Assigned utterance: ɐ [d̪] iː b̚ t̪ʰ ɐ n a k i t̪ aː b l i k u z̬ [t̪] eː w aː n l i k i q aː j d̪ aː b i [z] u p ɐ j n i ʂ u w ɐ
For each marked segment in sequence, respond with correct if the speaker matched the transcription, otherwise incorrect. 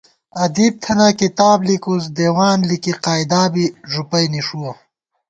correct, incorrect: d̪, incorrect: ʐ

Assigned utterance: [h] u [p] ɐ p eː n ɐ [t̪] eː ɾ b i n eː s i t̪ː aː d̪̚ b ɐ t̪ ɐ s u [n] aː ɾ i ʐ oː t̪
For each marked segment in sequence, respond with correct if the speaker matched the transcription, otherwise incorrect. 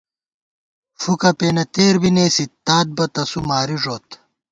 incorrect: f, incorrect: k, correct, incorrect: m

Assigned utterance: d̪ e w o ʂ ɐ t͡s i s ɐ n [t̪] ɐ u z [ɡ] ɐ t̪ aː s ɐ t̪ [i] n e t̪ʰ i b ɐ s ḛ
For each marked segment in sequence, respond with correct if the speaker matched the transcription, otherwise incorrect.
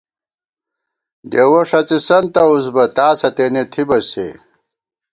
correct, incorrect: b, incorrect: e

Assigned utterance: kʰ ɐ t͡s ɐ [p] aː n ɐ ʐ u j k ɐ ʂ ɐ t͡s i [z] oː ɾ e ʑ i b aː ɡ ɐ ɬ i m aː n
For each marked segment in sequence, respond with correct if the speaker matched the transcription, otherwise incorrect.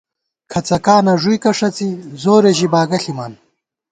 incorrect: k, correct

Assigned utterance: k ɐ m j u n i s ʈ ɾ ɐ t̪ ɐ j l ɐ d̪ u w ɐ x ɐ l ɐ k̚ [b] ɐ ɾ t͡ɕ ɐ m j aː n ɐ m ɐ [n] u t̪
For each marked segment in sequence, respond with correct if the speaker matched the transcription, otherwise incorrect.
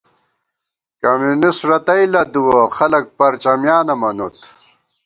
incorrect: p, correct

